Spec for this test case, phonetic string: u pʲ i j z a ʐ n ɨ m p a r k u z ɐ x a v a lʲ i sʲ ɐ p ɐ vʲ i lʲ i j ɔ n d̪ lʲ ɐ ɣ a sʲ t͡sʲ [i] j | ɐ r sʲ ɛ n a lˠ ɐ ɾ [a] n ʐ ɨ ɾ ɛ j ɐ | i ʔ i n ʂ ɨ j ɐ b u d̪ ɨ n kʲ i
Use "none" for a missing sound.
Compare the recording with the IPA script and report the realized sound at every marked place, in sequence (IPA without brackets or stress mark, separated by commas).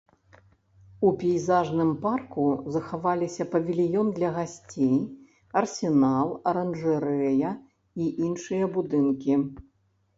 e, ɐ